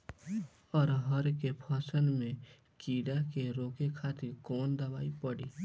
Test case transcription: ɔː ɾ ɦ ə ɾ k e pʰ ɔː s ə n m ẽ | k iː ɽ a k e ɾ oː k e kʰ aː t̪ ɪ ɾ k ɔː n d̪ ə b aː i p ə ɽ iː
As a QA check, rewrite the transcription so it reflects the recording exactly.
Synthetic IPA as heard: ɔː ɾ ɦ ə ɾ k e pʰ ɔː s ə n m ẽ | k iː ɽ a k e ɾ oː k e kʰ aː t̪ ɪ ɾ k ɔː n d̪ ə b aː i p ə ɽ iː